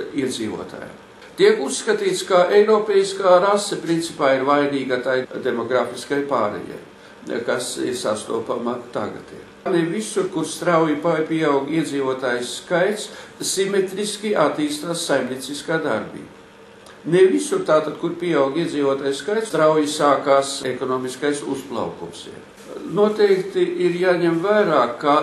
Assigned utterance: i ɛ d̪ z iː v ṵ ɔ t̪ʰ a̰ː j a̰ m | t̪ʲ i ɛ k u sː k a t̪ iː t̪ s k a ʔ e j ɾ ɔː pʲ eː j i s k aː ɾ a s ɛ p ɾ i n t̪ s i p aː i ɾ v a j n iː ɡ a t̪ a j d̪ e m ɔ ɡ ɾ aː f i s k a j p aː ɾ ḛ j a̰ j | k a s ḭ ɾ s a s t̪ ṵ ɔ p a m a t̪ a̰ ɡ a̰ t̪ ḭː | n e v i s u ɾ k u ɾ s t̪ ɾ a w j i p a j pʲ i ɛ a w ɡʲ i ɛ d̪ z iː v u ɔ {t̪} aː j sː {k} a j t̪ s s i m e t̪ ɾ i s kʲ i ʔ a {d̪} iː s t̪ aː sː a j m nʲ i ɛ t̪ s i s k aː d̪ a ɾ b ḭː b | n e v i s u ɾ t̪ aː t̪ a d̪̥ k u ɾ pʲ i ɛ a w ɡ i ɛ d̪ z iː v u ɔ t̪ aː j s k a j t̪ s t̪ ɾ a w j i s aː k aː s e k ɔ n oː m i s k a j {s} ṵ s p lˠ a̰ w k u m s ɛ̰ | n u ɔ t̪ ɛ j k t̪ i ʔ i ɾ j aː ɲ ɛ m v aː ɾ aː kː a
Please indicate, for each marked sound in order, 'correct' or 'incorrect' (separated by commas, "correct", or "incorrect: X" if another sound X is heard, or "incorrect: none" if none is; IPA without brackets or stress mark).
correct, correct, incorrect: t̪, correct